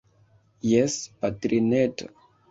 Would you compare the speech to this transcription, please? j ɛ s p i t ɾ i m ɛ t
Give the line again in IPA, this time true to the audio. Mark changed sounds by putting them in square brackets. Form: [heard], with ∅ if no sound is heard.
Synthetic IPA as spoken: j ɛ s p [a] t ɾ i [n] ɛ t